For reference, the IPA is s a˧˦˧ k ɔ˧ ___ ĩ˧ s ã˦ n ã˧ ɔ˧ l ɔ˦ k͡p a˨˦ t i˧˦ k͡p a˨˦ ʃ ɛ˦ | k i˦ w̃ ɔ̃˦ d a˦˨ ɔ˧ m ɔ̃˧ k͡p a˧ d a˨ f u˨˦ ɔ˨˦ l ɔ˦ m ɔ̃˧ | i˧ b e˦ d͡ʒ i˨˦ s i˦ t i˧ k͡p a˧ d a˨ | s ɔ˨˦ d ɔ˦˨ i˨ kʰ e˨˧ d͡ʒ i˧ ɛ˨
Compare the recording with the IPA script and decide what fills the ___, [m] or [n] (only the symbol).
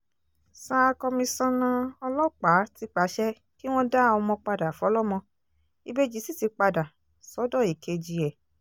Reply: m